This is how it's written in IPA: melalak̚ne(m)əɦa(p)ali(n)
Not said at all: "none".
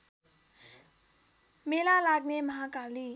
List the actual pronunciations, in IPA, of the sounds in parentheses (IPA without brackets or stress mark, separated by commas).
m, k, none